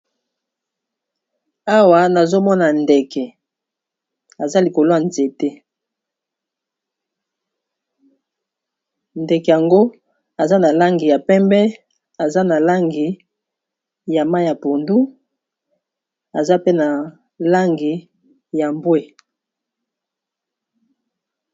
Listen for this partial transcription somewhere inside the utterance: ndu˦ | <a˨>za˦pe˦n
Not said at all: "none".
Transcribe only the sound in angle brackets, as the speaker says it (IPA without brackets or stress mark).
a˨